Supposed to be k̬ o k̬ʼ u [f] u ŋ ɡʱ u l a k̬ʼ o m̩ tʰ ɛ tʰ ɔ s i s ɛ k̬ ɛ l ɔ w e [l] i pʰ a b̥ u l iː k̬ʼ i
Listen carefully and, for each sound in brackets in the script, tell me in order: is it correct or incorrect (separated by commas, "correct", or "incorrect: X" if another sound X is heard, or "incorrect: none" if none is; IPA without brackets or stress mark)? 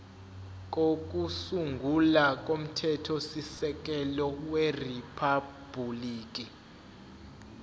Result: incorrect: s, incorrect: r